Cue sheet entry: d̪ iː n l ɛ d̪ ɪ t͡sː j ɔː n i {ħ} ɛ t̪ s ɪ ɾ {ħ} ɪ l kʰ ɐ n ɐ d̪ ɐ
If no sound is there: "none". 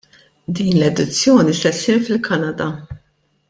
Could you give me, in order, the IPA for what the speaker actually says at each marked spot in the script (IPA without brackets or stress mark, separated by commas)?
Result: s, f